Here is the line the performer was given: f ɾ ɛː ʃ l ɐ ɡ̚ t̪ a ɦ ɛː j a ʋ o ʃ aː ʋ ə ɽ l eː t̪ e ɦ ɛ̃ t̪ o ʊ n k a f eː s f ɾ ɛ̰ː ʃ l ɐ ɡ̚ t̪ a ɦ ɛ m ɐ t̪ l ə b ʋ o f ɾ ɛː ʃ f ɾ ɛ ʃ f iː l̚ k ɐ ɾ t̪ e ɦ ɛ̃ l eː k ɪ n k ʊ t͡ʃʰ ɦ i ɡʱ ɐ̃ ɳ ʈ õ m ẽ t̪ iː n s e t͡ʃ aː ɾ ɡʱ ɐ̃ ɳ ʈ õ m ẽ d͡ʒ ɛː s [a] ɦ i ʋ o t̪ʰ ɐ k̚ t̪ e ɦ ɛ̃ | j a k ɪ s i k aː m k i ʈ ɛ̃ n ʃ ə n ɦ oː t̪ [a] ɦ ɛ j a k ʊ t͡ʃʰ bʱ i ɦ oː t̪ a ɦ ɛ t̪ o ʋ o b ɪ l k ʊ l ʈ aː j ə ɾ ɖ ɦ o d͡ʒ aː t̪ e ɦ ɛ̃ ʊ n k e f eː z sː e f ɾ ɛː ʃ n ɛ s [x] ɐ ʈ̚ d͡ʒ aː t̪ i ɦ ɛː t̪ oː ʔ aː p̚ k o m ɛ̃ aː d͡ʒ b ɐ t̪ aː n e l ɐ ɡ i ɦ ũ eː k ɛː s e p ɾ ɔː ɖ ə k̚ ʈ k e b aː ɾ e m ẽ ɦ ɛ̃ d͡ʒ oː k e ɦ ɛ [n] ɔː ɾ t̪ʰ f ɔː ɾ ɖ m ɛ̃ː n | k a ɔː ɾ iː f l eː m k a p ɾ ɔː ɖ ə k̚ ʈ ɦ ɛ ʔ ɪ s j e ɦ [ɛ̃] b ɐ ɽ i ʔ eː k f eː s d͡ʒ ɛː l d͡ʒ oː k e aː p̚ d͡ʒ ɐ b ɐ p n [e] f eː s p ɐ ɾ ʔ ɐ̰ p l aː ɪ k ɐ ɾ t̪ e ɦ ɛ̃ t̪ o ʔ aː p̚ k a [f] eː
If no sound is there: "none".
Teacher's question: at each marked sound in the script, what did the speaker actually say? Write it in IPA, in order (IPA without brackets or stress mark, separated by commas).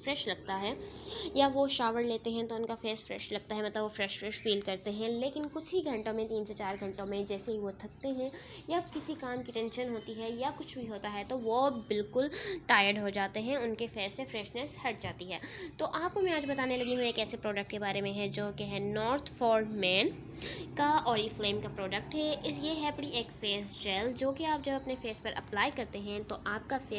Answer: e, i, h, n, ɛ, e, f